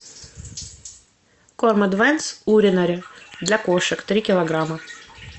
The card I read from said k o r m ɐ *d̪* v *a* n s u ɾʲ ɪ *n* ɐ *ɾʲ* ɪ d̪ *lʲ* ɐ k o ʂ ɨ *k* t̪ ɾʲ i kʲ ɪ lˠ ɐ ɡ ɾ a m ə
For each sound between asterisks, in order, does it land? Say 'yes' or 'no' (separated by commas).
yes, no, yes, yes, yes, yes